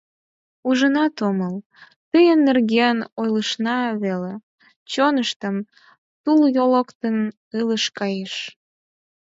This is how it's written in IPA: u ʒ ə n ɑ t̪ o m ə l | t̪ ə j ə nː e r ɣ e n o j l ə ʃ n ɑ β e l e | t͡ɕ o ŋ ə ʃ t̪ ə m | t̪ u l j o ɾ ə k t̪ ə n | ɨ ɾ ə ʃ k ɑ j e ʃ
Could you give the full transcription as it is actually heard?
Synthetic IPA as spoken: u ʒ ə n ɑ t̪ o m ə l | t̪ ə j ə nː e r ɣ e n o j l ə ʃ n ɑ β e l e | t͡ɕ o n ə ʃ t̪ ə m | t̪ u l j o l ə k t̪ ə n | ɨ l ə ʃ k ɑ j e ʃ